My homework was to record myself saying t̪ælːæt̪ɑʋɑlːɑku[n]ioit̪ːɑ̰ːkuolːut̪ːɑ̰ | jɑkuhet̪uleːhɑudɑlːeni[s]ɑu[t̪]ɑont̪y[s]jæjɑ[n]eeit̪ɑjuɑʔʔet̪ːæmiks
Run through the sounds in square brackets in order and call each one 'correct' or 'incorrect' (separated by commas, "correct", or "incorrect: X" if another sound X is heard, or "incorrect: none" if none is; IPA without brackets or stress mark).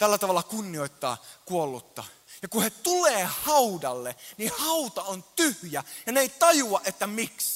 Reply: incorrect: nː, incorrect: h, correct, incorrect: h, correct